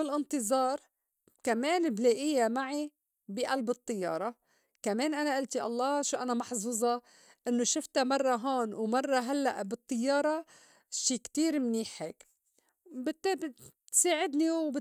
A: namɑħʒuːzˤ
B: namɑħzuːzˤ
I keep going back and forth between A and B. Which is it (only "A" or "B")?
B